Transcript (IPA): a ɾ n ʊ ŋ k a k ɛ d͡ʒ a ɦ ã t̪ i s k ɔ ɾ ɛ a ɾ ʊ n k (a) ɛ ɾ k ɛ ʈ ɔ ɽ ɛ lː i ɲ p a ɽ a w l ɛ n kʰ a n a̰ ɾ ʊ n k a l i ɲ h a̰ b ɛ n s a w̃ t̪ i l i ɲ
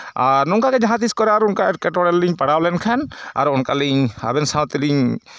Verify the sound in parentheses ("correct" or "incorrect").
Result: correct